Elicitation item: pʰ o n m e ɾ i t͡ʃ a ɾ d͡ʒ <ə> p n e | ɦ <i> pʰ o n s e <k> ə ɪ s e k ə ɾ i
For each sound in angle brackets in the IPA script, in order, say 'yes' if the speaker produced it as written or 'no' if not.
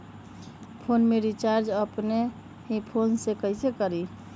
yes, yes, yes

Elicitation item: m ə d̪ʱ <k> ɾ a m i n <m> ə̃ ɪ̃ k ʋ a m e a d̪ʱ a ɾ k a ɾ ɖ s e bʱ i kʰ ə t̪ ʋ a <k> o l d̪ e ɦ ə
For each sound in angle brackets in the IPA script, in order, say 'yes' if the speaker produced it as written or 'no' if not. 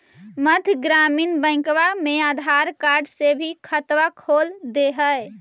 no, no, no

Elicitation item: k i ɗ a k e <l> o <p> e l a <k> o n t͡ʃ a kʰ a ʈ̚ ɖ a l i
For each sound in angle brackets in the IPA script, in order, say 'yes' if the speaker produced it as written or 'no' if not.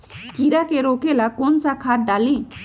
no, no, yes

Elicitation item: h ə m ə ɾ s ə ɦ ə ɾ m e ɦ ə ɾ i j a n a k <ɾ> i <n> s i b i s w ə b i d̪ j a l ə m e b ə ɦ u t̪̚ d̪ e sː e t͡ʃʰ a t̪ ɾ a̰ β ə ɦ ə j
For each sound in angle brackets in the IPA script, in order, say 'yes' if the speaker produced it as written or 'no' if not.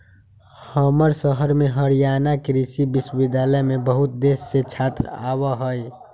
yes, no

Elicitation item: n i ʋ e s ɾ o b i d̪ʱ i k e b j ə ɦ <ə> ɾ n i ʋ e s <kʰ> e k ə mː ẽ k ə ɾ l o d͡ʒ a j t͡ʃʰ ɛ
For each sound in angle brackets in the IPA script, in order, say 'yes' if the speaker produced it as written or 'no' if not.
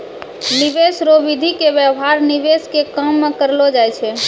no, no

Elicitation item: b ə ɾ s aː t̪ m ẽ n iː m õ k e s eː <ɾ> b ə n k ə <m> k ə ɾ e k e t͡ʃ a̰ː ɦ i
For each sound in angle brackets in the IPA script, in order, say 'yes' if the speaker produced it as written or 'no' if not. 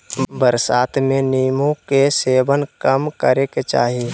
no, yes

